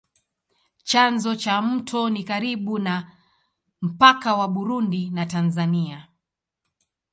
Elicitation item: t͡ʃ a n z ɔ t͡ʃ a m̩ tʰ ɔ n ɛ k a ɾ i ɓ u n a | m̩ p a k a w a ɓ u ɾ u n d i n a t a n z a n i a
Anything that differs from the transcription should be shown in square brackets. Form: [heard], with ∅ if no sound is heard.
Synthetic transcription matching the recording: t͡ʃ a n z ɔ t͡ʃ a m̩ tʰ ɔ n [i] k a ɾ i ɓ u n a | m̩ p a k a w a ɓ u ɾ u n d i n a t a n z a n i a